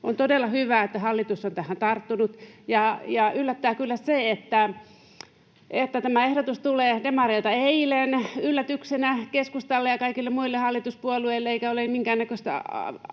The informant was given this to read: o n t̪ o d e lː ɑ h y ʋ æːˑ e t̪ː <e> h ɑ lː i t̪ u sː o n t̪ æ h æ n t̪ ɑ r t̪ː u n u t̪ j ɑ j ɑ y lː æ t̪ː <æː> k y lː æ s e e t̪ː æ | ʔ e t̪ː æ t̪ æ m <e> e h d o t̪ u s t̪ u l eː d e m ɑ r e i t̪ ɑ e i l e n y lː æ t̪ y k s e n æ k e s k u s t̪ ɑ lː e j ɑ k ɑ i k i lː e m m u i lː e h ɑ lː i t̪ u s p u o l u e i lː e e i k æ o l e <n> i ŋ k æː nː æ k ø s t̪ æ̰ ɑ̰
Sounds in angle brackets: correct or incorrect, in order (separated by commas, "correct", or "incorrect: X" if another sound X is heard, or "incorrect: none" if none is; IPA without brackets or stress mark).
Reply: incorrect: æ, correct, incorrect: æ, incorrect: m